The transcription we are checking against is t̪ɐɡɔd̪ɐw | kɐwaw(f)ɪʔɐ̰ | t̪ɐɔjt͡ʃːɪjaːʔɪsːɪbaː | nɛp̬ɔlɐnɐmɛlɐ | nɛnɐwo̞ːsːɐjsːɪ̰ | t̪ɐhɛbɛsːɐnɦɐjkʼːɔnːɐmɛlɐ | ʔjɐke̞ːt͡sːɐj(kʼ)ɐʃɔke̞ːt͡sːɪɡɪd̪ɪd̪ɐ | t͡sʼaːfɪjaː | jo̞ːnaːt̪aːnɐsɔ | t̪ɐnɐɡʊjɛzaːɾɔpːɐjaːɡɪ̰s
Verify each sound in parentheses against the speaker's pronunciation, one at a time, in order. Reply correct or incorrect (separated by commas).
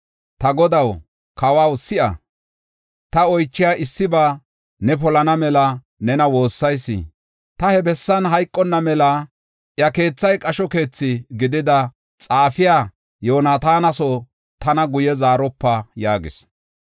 incorrect, correct